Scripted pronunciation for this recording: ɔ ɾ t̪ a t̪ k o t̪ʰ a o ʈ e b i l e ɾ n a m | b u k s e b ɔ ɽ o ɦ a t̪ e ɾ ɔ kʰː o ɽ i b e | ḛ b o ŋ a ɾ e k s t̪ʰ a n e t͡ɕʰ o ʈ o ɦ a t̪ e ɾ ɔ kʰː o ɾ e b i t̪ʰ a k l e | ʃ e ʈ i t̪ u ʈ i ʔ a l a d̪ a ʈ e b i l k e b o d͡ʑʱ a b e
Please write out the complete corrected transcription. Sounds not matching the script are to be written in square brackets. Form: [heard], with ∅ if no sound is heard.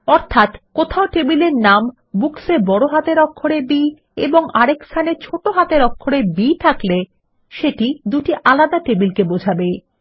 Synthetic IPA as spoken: ɔ ɾ [t̪ʰ] a t̪ k o t̪ʰ a o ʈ e b i l e ɾ n a m | b u k s e b ɔ ɽ o ɦ a t̪ e ɾ ɔ kʰː o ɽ [e] b [i] | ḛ b o ŋ a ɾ e k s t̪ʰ a n e t͡ɕʰ o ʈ o ɦ a t̪ e ɾ ɔ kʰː o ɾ e b i t̪ʰ a k l e | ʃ e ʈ i [d̪] u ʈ i ʔ a l a d̪ a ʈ e b i l k e b o d͡ʑʱ a b e

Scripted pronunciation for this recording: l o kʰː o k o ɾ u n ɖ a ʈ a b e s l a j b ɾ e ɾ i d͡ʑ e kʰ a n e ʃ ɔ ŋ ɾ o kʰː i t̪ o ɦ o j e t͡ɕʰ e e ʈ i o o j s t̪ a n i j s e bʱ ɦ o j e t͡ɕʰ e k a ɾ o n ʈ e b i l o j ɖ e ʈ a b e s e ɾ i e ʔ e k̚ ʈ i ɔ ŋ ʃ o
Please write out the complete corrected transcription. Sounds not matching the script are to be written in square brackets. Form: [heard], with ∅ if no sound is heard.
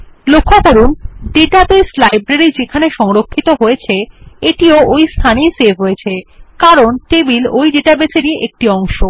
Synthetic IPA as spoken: l o kʰː o k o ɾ u n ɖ [e] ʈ a b e s l a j b ɾ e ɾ i d͡ʑ e kʰ a n e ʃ ɔ ŋ ɾ o kʰː i t̪ o ɦ o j e t͡ɕʰ e e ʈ i o o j s [t̪ʰ] a n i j s e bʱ ɦ o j e t͡ɕʰ e k a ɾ o n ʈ e b i l o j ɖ e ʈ a b e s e ɾ i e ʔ e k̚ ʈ i ɔ ŋ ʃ o

